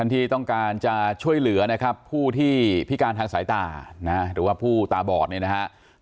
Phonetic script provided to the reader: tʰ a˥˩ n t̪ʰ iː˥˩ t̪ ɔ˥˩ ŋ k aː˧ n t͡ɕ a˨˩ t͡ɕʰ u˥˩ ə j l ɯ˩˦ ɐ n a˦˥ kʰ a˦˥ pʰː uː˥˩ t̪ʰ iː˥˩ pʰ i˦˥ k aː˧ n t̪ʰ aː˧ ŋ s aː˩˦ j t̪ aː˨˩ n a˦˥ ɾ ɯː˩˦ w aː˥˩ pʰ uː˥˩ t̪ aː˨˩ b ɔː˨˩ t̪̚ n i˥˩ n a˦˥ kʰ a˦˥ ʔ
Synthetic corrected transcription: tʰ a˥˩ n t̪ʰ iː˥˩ t̪ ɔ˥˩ ŋ k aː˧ n t͡ɕ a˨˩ t͡ɕʰ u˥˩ ə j l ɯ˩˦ ɐ n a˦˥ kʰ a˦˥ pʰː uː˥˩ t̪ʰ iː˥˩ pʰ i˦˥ k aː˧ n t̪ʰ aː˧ ŋ s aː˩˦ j t̪ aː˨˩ n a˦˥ ɾ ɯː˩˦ w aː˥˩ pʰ uː˥˩ t̪ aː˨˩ b ɔː˨˩ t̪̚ n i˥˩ n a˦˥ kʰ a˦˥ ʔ